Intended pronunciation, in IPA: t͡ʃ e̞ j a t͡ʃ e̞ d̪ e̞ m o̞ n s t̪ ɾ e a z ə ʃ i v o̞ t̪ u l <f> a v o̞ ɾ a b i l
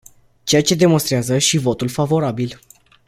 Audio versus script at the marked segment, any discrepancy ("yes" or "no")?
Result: no